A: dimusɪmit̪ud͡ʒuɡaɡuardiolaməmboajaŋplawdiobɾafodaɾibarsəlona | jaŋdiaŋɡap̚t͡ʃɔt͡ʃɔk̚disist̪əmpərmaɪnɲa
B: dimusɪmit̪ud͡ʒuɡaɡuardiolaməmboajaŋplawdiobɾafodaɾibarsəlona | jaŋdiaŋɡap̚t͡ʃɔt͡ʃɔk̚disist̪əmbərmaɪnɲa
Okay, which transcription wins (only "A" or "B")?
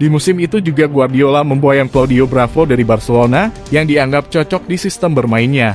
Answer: B